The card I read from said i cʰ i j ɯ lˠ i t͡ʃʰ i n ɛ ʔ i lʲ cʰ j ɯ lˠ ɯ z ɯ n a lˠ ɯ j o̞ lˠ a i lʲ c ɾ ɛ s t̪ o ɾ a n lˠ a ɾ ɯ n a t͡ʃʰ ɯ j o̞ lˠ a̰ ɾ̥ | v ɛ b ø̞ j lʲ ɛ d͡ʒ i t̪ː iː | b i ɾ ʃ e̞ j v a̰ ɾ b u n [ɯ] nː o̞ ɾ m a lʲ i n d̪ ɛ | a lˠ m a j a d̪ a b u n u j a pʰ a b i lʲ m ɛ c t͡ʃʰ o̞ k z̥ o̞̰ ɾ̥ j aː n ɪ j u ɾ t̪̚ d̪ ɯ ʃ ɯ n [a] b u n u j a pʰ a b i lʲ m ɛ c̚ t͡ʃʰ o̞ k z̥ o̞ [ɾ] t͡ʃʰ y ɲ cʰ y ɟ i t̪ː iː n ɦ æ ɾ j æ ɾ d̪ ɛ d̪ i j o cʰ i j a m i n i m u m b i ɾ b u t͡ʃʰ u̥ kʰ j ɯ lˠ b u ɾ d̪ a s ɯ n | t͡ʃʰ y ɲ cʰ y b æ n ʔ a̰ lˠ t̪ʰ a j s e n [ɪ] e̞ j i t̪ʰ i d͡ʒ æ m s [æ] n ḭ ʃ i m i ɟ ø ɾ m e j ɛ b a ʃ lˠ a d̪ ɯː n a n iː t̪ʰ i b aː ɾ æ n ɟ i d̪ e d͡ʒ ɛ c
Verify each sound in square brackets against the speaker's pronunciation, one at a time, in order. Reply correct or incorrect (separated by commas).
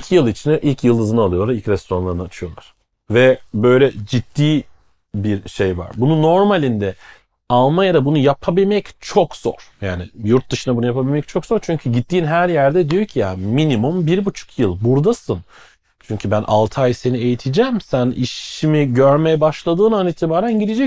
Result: incorrect, correct, correct, incorrect, correct